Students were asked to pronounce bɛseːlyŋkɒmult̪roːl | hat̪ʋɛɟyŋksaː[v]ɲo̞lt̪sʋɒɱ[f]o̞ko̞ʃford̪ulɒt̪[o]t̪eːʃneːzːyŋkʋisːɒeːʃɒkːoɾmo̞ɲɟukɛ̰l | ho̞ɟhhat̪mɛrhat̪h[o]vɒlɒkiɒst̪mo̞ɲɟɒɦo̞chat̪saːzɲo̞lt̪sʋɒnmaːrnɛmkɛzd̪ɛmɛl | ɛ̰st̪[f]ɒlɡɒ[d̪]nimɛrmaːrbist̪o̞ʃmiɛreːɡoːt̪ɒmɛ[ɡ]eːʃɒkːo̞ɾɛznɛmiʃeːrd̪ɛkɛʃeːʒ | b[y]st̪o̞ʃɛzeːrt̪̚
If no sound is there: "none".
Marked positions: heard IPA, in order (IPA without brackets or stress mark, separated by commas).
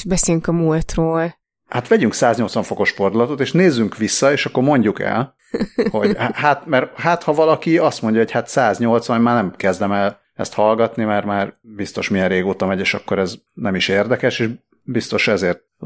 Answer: z, f, o, ɒ, h, t̪, ɟ, i